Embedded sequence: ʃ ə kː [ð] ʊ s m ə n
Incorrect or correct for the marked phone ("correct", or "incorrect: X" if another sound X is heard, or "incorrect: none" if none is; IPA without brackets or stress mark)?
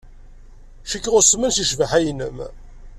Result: incorrect: ʁ